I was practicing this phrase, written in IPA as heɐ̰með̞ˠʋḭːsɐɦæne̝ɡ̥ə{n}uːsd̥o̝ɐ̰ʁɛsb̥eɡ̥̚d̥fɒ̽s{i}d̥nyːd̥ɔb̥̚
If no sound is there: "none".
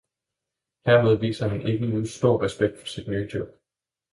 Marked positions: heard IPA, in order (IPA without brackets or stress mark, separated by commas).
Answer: n, i